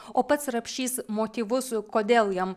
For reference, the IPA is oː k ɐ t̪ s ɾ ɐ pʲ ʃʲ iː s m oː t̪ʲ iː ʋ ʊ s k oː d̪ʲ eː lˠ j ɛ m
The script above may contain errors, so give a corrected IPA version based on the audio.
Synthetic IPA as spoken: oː p ɐ t̪ s ɾ ɐ pʲ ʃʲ iː s m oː t̪ʲ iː ʋ ʊ s k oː d̪ʲ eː lˠ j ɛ m